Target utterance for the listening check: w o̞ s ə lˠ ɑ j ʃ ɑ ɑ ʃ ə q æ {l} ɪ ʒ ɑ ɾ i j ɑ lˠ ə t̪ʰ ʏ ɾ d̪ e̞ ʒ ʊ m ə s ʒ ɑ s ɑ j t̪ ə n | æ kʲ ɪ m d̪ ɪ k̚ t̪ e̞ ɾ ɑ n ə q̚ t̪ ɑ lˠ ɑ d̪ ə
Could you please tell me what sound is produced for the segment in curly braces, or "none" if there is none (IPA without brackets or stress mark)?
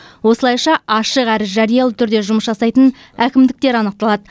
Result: ɾ